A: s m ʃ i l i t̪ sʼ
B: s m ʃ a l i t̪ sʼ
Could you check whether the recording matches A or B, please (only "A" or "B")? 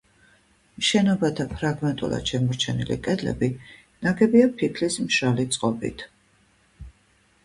B